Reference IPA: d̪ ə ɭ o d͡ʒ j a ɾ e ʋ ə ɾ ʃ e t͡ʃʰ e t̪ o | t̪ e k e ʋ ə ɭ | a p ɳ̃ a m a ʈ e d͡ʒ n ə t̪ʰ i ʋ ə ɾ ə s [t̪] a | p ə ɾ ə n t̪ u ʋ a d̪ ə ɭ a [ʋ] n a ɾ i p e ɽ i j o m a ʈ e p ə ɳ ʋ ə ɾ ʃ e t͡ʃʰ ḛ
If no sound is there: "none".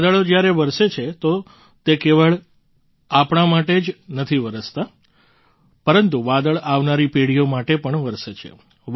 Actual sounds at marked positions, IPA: t̪, ʋ

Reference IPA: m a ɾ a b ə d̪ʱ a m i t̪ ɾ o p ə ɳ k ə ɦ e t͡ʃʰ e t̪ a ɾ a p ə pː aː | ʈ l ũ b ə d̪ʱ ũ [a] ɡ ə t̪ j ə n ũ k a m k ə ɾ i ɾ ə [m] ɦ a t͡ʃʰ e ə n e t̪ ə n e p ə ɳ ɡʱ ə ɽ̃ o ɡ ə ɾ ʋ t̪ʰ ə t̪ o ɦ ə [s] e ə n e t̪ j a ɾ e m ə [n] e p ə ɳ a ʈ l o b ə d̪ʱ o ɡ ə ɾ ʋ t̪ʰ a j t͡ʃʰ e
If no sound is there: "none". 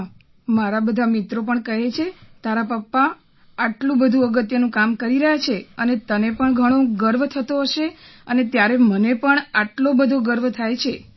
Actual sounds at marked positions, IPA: ə, none, ʃ, n

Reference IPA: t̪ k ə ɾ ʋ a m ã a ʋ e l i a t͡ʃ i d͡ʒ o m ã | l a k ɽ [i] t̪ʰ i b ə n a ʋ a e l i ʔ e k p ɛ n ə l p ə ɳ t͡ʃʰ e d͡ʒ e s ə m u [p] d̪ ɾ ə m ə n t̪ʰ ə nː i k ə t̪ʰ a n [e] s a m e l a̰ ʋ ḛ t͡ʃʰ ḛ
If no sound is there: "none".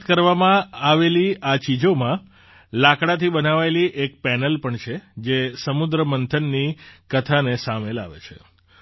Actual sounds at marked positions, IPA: a, none, e

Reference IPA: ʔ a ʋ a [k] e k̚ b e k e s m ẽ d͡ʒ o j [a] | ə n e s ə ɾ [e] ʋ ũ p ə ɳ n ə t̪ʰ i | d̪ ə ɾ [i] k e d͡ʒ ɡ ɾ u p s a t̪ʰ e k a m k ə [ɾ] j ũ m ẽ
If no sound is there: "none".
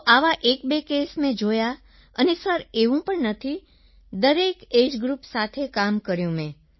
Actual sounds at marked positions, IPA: ʔ, a, e, e, ɾ

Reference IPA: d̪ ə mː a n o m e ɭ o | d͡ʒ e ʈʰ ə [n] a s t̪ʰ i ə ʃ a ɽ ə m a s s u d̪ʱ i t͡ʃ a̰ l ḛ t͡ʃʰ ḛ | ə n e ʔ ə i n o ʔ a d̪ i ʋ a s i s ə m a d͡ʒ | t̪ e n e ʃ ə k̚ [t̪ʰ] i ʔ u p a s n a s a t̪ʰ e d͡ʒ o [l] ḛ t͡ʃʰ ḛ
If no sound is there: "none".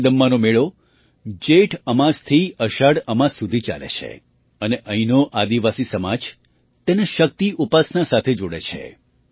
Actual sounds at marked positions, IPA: m, t̪, ɽ

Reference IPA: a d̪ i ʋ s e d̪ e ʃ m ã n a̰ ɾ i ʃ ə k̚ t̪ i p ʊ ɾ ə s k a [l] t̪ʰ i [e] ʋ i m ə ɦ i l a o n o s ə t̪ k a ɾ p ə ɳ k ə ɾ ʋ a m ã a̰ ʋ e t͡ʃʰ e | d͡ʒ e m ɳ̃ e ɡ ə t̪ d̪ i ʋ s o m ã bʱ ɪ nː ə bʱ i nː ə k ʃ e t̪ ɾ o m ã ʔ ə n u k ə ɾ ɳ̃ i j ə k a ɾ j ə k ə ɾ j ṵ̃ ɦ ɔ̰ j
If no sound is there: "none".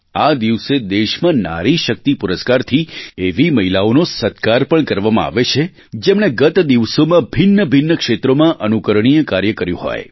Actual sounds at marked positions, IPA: ɾ, e

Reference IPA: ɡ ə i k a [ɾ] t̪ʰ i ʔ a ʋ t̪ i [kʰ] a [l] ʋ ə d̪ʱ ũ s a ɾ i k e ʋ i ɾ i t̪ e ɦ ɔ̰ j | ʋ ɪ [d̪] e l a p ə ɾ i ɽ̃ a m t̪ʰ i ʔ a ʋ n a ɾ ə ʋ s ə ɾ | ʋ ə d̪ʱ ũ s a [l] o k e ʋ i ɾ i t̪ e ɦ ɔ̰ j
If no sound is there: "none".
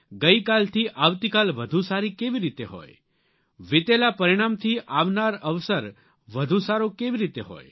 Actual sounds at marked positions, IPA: l, k, l, t̪, ɾ

